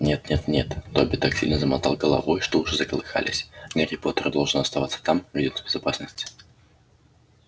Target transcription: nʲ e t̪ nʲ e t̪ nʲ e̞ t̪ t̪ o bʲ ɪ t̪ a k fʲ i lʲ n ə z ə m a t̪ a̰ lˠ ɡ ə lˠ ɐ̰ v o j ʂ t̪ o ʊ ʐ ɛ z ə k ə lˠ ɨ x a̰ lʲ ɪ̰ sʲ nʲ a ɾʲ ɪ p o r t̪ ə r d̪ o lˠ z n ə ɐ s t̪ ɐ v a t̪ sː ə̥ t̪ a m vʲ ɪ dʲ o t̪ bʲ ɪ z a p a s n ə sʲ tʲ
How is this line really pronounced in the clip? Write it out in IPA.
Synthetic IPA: nʲ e t̪ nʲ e t̪ nʲ e̞ t̪ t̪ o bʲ ɪ t̪ a k sʲ i lʲ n ə z ə m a t̪ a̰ lˠ ɡ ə lˠ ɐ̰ v o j ʂ t̪ o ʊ ʐ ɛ z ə k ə lˠ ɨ x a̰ lʲ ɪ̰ sʲ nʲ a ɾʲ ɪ p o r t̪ ə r d̪ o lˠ ʐ n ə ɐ s t̪ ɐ v a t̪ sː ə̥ t̪ a m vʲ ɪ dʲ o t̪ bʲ ɪ z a p a s n ə sʲ tʲ